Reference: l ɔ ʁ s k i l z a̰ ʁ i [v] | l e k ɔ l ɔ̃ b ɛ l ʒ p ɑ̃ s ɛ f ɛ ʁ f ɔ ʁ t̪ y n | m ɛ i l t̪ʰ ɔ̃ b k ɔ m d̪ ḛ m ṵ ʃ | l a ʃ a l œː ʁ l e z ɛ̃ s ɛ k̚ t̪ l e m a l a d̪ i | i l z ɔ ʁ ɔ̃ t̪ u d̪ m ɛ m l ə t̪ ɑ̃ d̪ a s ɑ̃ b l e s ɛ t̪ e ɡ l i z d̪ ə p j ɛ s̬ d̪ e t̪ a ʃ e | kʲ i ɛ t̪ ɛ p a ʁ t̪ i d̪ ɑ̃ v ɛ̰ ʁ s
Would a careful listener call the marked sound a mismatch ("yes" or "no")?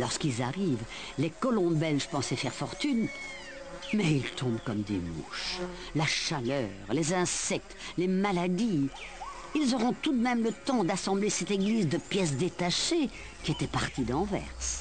no